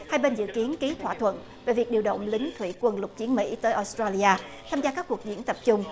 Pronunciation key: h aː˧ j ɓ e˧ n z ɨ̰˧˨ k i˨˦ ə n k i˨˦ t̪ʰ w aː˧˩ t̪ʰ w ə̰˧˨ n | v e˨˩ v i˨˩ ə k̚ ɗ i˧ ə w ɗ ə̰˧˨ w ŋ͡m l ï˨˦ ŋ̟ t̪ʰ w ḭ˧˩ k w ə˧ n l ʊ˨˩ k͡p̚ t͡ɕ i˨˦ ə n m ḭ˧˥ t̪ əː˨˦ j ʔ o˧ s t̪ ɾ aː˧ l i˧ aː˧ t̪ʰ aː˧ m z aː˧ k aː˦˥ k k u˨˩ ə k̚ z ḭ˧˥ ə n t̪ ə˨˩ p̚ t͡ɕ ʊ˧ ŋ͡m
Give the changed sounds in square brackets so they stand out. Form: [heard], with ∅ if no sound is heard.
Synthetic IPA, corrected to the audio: h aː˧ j ɓ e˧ n z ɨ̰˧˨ k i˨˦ ə n k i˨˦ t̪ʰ w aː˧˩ t̪ʰ w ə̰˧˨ n | v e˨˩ v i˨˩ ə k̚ ɗ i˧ ə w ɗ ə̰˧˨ w ŋ͡m l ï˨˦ ŋ̟ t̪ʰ w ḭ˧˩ k w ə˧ n l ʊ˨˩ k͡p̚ t͡ɕ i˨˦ ə n m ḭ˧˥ t̪ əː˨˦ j ʔ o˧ s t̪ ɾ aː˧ l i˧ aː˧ t̪ʰ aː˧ m z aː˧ k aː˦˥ k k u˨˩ ə k̚ z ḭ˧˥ ə n t̪ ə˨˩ p̚ t͡ɕ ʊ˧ ŋ͡m